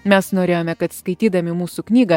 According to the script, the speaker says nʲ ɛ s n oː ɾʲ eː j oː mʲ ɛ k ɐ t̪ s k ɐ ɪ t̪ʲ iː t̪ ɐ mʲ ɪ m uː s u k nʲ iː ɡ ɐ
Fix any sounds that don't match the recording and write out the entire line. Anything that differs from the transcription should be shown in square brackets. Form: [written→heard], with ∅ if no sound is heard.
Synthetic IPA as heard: [nʲ→mʲ] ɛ s n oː ɾʲ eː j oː mʲ ɛ k ɐ t̪ s k ɐ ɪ t̪ʲ iː [t̪→d̪] ɐ mʲ ɪ m uː s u k nʲ iː ɡ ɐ

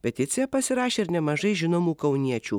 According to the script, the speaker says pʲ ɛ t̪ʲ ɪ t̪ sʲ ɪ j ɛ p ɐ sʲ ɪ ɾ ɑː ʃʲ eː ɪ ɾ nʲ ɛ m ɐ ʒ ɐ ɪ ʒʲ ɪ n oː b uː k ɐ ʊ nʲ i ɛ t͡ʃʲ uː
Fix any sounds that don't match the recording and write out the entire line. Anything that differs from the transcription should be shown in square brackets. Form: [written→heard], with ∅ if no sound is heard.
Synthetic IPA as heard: pʲ ɛ t̪ʲ ɪ t̪ sʲ ɪ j ɛ p ɐ sʲ ɪ ɾ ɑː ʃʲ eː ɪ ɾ nʲ ɛ m ɐ ʒ ɐ ɪ ʒʲ ɪ n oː [b→m] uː k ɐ ʊ nʲ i ɛ t͡ʃʲ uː

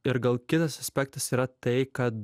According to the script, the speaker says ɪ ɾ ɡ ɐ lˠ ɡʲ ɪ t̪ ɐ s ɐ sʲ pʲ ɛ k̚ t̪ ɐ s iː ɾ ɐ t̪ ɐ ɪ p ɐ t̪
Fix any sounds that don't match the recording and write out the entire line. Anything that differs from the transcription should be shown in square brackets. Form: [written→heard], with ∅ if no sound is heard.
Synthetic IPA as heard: ɪ ɾ ɡ ɐ lˠ [ɡʲ→kʲ] ɪ t̪ ɐ s ɐ sʲ pʲ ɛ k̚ t̪ ɐ s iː ɾ ɐ t̪ ɐ ɪ [p→k] ɐ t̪

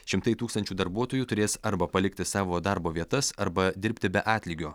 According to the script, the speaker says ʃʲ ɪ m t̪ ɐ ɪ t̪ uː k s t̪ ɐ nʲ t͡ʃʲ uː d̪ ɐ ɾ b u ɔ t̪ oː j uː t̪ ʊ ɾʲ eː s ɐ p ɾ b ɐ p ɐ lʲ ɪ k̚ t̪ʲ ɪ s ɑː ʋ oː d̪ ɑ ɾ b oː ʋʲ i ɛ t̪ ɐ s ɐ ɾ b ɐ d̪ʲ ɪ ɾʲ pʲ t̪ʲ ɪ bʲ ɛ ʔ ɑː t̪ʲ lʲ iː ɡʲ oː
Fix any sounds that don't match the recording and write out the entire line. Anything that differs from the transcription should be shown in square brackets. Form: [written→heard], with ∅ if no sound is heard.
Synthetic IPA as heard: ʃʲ ɪ m t̪ ɐ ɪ t̪ uː k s t̪ ɐ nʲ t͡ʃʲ uː d̪ ɐ ɾ b u ɔ t̪ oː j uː t̪ ʊ ɾʲ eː s ɐ [p→∅] ɾ b ɐ p ɐ lʲ ɪ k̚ t̪ʲ ɪ s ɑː ʋ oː d̪ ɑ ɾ b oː ʋʲ i ɛ t̪ ɐ s ɐ ɾ b ɐ d̪ʲ ɪ ɾʲ pʲ t̪ʲ ɪ bʲ ɛ ʔ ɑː t̪ʲ lʲ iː ɡʲ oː

